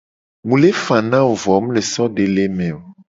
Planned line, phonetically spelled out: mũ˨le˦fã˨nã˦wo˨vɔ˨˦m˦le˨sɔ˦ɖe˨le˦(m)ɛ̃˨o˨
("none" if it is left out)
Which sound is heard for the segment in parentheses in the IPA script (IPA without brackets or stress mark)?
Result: m